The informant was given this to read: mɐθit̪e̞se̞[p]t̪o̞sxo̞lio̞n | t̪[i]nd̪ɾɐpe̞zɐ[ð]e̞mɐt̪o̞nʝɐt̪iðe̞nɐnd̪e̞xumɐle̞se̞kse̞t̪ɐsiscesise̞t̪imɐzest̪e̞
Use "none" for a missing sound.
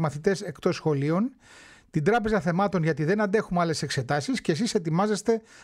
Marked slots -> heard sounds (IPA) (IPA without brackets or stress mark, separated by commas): k, i, θ